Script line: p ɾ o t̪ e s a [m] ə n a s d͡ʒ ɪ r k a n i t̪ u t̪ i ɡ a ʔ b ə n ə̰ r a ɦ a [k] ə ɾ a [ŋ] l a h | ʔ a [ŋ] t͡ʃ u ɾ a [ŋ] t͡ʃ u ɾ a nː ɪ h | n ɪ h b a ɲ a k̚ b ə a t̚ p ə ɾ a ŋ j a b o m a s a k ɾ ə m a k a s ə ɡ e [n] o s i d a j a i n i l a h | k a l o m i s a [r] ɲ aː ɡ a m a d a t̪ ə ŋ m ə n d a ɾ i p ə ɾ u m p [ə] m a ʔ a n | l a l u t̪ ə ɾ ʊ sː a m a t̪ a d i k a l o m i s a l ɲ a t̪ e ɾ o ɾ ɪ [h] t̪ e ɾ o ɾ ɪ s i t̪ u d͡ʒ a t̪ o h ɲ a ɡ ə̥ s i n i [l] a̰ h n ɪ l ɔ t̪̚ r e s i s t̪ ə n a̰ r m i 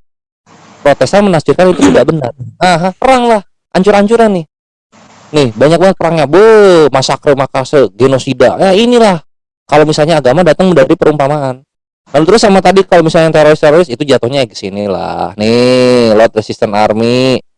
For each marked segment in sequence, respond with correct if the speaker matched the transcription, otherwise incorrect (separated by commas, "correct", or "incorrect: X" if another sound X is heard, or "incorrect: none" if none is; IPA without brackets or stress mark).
correct, incorrect: p, correct, incorrect: ɲ, incorrect: ɲ, correct, incorrect: l, incorrect: a, incorrect: s, correct